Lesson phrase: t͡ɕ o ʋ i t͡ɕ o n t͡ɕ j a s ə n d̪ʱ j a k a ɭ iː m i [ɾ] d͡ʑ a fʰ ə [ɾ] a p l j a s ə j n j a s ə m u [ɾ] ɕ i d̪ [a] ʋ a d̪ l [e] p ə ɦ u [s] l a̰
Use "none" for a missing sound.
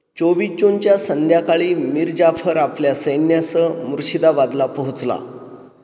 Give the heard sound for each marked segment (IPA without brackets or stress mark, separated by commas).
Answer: ɾ, ɾ, ɾ, a, a, t͡s